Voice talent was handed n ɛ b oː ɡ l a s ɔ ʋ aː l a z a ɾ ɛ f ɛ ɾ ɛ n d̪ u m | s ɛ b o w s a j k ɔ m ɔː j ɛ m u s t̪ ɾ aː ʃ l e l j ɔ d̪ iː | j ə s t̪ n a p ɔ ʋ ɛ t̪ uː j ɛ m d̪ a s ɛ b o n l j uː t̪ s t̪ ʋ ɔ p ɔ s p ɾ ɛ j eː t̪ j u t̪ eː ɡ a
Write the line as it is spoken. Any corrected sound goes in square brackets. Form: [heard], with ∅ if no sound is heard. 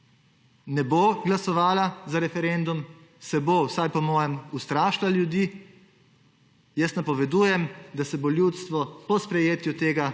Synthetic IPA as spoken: n ɛ b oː ɡ l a s ɔ ʋ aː l a z a ɾ ɛ f ɛ ɾ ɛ n d̪ u m | s ɛ b o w s a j [p] ɔ m ɔː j ɛ m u s t̪ ɾ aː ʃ l [a] l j [u] d̪ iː | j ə s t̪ n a p ɔ ʋ ɛ [d̪] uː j ɛ m d̪ a s ɛ b o [∅] l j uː t̪ s t̪ ʋ ɔ p ɔ s p ɾ ɛ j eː t̪ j u t̪ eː ɡ a